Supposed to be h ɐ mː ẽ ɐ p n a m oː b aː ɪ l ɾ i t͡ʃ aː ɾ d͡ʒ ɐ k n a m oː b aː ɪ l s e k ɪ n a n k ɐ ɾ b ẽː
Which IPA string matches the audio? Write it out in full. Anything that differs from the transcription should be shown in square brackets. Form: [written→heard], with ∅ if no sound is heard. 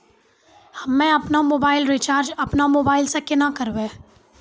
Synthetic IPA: h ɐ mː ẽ ɐ p n a m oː b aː ɪ l ɾ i t͡ʃ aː ɾ d͡ʒ ɐ [k→p] n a m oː b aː ɪ l s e k ɪ n a [n→∅] k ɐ ɾ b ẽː